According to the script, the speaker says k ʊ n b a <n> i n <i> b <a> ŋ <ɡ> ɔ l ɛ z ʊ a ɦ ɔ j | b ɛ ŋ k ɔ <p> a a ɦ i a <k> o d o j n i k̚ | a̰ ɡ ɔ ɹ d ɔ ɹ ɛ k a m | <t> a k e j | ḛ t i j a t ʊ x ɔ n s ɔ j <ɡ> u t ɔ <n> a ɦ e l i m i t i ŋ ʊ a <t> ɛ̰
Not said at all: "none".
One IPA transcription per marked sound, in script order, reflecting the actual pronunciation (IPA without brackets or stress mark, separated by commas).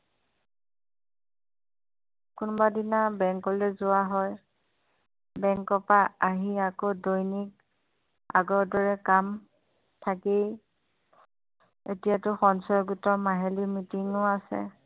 d, a, ɛ, k, p, k, tʰ, ɡ, m, s